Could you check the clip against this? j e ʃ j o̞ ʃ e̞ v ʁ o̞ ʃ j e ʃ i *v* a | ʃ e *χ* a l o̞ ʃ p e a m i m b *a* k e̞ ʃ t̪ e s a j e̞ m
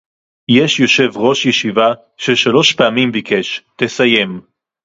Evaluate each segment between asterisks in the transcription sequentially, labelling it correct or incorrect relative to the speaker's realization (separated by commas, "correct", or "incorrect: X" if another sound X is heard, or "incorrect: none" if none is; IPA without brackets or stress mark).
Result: correct, incorrect: ʃ, incorrect: i